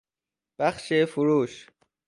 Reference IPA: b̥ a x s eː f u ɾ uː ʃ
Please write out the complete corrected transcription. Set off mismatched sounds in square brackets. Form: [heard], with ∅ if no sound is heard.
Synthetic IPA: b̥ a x [ʃ] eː f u ɾ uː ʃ